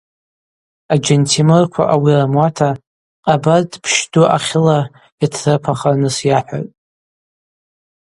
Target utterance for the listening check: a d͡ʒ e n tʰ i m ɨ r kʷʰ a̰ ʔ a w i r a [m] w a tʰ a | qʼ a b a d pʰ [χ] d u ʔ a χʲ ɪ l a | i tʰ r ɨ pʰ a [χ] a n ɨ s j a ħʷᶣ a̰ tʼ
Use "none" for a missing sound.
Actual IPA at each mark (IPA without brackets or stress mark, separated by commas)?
m, ʃ, χ